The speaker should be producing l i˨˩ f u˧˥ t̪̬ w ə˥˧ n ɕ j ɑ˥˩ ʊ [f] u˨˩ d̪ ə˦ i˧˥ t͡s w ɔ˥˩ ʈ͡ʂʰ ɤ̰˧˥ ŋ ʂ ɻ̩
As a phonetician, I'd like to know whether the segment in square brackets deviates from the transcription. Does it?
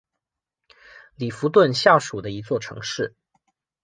yes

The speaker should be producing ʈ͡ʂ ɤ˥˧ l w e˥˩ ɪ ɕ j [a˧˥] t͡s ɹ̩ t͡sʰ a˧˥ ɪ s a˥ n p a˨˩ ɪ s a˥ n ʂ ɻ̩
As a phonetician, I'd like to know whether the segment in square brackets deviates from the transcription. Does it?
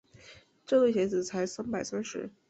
yes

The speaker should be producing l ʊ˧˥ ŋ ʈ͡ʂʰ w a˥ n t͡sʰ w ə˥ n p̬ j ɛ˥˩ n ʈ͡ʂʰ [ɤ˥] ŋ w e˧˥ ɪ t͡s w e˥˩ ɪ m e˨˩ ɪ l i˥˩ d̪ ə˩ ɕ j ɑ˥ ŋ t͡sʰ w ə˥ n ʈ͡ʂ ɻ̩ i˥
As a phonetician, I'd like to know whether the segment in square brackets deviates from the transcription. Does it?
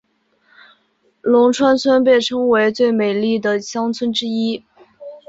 no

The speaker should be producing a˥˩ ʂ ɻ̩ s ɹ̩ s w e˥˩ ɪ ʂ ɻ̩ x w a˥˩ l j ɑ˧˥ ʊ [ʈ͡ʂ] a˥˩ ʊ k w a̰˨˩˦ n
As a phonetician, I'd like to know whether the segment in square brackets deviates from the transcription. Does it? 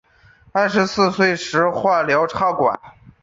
yes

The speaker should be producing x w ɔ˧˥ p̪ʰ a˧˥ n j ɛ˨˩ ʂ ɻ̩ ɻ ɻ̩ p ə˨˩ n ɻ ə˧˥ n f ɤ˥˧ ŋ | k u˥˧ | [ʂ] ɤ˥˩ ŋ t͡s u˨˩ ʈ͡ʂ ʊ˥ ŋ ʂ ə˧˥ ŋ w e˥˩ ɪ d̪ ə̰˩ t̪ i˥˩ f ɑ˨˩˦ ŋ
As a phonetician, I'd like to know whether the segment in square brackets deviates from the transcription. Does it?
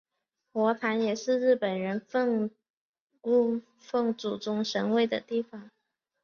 yes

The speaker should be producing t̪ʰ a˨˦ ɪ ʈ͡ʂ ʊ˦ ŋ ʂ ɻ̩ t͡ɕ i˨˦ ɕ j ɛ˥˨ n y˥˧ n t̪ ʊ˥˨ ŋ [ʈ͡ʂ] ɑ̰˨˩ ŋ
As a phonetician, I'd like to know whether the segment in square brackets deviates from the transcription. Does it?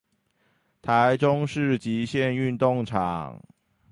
yes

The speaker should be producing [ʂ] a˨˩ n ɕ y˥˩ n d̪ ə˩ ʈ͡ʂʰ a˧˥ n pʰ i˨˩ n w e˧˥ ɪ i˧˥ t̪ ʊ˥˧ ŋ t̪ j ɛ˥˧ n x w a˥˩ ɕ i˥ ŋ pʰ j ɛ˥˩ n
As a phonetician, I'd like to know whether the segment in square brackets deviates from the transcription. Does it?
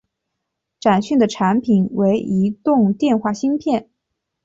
yes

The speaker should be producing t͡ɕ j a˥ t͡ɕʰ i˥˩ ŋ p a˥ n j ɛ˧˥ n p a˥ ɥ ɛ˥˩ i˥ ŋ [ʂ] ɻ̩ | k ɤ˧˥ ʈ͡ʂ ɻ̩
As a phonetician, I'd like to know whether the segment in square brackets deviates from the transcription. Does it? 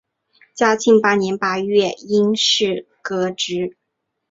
no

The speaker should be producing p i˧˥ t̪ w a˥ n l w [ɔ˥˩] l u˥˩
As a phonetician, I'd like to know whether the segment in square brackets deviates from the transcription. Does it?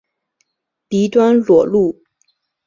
yes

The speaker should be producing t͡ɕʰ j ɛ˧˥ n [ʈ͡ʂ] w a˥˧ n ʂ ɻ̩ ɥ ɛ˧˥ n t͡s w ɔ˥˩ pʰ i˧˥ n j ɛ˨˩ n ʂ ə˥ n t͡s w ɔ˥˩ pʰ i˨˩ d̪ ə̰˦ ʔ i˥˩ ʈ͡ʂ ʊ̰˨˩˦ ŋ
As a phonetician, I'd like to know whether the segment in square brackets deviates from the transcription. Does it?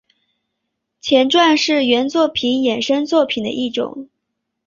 no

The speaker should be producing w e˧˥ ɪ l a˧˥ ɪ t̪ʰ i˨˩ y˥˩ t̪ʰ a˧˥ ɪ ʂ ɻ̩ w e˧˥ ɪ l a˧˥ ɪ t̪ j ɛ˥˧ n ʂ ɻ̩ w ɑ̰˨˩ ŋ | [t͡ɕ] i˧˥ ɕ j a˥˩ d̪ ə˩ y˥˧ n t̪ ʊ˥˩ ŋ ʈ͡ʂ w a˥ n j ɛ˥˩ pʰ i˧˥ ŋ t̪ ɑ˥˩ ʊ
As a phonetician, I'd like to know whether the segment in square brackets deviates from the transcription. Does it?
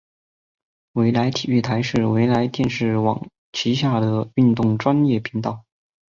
yes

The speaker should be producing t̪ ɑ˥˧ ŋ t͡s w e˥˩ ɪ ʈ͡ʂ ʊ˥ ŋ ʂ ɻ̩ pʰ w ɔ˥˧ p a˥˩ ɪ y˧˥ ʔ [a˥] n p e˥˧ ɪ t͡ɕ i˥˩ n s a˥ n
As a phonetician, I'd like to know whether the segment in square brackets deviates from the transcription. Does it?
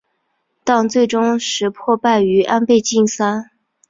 no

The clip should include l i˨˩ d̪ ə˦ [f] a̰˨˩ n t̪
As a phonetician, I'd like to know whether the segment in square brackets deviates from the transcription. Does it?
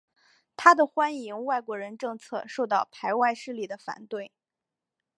no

